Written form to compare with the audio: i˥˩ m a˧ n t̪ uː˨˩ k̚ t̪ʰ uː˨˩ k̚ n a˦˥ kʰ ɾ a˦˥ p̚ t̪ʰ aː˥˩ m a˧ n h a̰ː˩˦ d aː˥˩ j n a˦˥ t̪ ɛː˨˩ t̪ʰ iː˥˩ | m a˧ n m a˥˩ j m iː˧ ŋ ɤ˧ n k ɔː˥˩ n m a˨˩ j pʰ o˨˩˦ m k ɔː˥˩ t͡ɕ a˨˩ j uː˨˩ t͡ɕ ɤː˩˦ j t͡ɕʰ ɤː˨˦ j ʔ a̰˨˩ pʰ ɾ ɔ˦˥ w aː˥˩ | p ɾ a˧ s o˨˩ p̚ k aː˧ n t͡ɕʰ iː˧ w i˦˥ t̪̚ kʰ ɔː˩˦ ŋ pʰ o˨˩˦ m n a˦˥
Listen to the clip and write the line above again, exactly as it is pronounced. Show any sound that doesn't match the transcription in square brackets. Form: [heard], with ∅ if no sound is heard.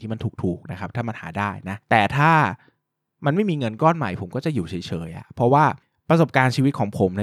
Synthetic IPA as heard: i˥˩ m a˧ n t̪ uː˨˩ k̚ t̪ʰ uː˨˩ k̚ n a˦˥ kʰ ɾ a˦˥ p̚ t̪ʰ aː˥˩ m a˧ n h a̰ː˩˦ d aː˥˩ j n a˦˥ t̪ ɛː˨˩ t̪ʰ [aː˥˩] | m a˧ n m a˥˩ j m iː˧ ŋ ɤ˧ n k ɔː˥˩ n m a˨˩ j pʰ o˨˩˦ m k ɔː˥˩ t͡ɕ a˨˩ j uː˨˩ [t͡ɕʰ] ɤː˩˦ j t͡ɕʰ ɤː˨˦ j ʔ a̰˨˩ pʰ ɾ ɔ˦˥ w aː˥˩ | p ɾ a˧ s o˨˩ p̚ k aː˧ n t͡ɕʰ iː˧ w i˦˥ t̪̚ kʰ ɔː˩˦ ŋ pʰ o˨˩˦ m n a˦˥